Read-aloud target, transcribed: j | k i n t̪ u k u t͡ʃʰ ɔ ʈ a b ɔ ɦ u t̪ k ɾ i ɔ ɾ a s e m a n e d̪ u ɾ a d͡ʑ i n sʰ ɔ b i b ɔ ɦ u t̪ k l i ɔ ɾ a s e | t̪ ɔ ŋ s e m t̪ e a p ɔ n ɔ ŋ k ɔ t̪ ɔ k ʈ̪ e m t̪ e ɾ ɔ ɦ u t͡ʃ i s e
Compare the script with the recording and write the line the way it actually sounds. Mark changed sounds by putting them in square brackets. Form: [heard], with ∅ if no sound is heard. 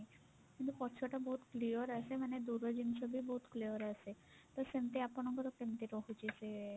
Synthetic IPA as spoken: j | k i n t̪ u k [ɔ] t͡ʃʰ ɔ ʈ a b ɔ ɦ u t̪ k [l] i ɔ ɾ a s e m a n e d̪ u ɾ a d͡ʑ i n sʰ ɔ b i b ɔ ɦ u t̪ k l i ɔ ɾ a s e | t̪ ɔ [∅] s e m t̪ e a p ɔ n ɔ ŋ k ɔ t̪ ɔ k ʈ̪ e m t̪ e ɾ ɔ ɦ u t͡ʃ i s e

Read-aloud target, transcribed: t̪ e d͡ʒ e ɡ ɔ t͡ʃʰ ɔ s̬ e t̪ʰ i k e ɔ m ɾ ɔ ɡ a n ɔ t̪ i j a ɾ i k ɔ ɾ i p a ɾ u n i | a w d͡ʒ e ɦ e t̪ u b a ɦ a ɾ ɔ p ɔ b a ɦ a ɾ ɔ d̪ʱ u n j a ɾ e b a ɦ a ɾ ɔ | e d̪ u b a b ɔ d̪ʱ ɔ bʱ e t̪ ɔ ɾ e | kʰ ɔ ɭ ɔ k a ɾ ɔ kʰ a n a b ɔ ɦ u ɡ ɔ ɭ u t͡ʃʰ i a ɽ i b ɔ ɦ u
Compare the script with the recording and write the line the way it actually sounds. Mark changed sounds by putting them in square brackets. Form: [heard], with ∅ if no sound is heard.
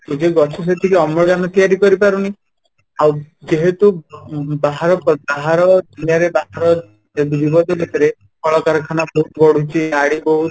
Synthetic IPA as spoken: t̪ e d͡ʒ e ɡ ɔ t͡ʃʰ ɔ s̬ e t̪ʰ i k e ɔ m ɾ ɔ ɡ a n ɔ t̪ i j a ɾ i k ɔ ɾ i p a ɾ u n i | a w d͡ʒ e ɦ e t̪ u b a ɦ a ɾ ɔ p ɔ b a ɦ a ɾ ɔ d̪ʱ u n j a ɾ e b a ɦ a ɾ ɔ | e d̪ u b [i] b ɔ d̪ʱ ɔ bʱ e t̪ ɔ ɾ e | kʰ ɔ ɭ ɔ k a ɾ ɔ kʰ a n a b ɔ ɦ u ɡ ɔ [ɽ] u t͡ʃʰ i a ɽ i b ɔ ɦ u

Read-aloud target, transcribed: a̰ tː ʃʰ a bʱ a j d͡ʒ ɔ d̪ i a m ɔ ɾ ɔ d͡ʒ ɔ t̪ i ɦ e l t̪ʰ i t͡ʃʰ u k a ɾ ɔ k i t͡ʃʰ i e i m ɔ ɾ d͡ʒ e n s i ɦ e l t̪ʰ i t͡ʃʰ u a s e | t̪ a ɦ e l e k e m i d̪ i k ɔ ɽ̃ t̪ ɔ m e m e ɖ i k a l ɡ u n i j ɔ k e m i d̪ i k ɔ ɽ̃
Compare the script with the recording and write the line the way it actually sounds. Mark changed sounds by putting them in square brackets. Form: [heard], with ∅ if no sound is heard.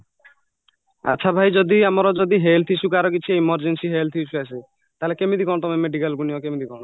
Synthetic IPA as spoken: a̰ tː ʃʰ a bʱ a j d͡ʒ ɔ d̪ i a m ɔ ɾ ɔ d͡ʒ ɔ [d̪] i ɦ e l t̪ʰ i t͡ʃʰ u k a ɾ ɔ k i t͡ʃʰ i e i m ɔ ɾ d͡ʒ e n s i ɦ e l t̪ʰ i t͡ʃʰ u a s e | t̪ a ɦ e l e k e m i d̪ i k ɔ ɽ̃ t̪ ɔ m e m e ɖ i k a l ɡ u n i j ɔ k e m i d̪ i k ɔ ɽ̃

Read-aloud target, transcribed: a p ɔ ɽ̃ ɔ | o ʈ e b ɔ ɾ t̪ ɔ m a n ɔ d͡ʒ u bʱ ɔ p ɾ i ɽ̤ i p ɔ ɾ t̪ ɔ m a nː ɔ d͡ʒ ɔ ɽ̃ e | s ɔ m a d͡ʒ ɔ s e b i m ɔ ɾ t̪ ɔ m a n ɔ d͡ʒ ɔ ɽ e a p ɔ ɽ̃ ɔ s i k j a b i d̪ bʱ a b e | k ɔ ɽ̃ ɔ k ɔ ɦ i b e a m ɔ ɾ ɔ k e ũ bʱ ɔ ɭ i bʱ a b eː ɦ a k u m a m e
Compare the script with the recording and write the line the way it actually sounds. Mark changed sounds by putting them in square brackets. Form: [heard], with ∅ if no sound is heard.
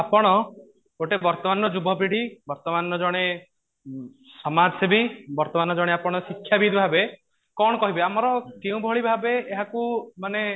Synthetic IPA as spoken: a p ɔ ɽ̃ ɔ | o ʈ e b ɔ ɾ t̪ ɔ m a n ɔ d͡ʒ u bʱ ɔ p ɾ i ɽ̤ i [b] ɔ ɾ t̪ ɔ m a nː ɔ d͡ʒ ɔ ɽ̃ e | s ɔ m a d͡ʒ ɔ s e b i [b] ɔ ɾ t̪ ɔ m a n ɔ d͡ʒ ɔ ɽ e a p ɔ ɽ̃ ɔ s i [kʰ] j a b i d̪ bʱ a b e | k ɔ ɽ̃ ɔ k ɔ ɦ i b e a m ɔ ɾ ɔ k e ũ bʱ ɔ ɭ i bʱ a b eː ɦ a k u m a [n] e

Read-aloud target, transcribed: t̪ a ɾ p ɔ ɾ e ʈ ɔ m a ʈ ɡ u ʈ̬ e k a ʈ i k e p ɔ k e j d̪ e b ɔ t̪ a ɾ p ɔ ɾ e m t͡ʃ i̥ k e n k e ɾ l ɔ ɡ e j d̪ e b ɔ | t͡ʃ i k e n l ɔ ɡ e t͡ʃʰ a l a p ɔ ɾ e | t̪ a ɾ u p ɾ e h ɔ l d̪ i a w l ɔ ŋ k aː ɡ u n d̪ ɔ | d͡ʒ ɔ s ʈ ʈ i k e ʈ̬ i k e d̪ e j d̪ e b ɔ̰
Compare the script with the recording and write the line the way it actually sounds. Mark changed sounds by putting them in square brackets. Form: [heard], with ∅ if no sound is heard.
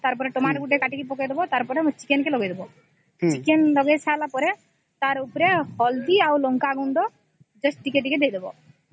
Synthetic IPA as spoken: t̪ a ɾ p ɔ ɾ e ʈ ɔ m a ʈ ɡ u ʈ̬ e k a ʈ i k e p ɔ k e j d̪ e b ɔ t̪ a ɾ p ɔ ɾ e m t͡ʃ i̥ k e n k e [∅] l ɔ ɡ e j d̪ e b ɔ | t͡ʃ i k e n l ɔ ɡ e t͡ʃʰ a l a p ɔ ɾ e | t̪ a ɾ u p ɾ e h ɔ l d̪ i a w l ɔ ŋ k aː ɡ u n d̪ ɔ | d͡ʒ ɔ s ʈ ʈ i k e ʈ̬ i k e d̪ e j d̪ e b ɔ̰

